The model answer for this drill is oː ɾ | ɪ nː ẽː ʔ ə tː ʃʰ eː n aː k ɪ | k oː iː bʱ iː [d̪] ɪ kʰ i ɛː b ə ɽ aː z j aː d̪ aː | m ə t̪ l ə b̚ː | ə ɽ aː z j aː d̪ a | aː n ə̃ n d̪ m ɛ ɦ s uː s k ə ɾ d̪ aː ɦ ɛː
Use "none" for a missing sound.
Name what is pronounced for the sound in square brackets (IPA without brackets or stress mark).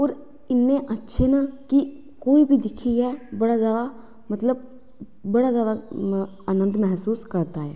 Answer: d̪